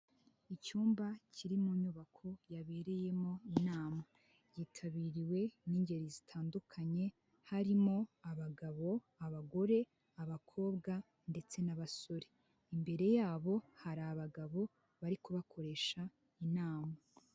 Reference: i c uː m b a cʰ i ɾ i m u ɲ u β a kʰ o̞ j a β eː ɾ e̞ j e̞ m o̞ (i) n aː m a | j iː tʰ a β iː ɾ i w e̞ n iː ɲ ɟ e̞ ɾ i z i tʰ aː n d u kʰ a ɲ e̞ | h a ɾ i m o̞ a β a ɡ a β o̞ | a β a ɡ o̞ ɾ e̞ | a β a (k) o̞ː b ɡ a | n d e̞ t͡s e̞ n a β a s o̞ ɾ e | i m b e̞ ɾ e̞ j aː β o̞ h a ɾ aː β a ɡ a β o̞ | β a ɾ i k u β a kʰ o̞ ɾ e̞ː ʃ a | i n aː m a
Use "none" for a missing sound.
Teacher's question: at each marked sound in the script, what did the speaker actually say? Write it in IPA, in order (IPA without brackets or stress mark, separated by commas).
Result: i, kʰ